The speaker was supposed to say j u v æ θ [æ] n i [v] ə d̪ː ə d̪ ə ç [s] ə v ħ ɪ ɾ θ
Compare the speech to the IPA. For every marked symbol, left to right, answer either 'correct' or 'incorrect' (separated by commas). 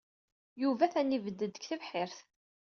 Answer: correct, correct, incorrect